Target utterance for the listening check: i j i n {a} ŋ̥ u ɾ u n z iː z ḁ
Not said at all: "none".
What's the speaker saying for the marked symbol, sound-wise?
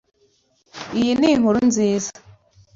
i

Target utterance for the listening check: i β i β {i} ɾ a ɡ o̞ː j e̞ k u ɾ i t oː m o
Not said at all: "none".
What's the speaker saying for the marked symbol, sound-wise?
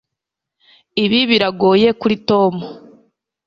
i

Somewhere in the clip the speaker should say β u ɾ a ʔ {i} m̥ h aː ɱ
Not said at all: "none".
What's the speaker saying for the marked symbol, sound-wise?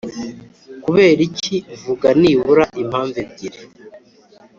i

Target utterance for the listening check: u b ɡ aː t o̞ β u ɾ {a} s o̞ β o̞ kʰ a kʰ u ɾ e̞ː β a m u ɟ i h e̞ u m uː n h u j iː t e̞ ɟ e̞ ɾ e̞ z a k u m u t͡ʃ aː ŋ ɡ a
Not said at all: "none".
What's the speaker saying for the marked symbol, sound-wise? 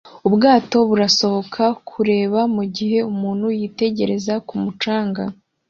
a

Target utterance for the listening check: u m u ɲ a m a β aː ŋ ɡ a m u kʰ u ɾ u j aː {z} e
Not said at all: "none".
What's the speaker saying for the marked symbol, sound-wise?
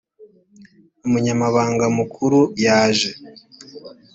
ʒ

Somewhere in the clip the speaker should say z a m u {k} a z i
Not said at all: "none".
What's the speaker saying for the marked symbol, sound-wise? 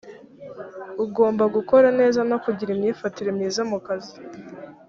k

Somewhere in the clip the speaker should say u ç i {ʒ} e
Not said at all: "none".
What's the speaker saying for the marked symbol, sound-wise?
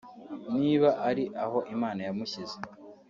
z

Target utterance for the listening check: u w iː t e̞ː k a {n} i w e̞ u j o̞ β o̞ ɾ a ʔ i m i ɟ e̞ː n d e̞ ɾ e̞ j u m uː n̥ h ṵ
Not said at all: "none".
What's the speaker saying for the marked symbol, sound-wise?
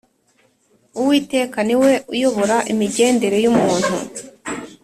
n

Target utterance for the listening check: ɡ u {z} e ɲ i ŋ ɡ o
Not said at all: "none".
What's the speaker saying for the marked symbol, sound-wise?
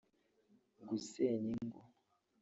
s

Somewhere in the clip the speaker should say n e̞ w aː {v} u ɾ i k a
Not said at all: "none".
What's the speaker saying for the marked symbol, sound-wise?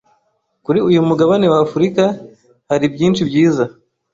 f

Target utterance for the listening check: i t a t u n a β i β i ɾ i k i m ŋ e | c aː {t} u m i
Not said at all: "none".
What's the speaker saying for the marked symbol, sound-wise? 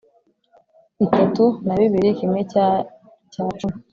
t͡ʃ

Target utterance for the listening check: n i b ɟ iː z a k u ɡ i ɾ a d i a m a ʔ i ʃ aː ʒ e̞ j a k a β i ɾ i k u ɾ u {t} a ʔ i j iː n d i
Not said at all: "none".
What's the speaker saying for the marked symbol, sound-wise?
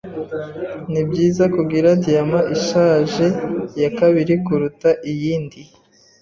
t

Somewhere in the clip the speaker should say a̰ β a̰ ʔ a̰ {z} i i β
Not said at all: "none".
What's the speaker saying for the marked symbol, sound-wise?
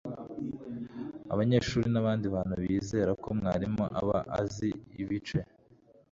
z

